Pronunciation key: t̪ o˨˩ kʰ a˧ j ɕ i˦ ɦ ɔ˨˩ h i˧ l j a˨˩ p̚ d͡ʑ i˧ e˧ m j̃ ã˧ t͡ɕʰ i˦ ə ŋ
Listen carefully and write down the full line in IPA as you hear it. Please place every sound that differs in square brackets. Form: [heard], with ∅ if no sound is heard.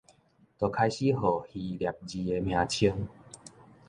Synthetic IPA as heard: t̪ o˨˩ kʰ a˧ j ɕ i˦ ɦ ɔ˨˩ h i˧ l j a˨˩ p̚ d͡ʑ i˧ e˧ m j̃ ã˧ t͡ɕʰ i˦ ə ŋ